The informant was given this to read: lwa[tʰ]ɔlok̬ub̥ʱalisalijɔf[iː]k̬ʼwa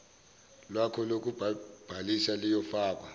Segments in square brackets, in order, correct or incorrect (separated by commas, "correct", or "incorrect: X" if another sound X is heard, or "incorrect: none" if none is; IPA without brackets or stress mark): incorrect: kʰ, incorrect: aː